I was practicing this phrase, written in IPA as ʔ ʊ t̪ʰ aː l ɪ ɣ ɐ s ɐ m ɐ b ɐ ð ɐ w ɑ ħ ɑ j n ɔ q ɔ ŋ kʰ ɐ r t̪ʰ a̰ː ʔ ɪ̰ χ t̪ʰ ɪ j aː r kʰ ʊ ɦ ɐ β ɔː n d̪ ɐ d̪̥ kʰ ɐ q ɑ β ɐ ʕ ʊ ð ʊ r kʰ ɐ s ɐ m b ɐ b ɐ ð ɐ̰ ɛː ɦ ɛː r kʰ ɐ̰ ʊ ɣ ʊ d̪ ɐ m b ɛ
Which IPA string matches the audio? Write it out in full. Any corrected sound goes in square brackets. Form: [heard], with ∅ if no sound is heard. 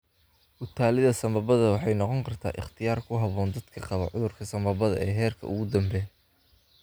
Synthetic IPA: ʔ ʊ t̪ʰ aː l ɪ [ð] ɐ s ɐ m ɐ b ɐ ð ɐ w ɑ ħ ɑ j n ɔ q ɔ ŋ kʰ ɐ r t̪ʰ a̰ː ʔ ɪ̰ χ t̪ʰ ɪ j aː r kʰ ʊ ɦ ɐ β ɔː n d̪ ɐ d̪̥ kʰ ɐ q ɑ β ɐ ʕ ʊ ð ʊ r kʰ ɐ s ɐ m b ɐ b ɐ ð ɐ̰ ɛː ɦ ɛː r kʰ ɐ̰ ʊ ɣ ʊ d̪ ɐ m b ɛ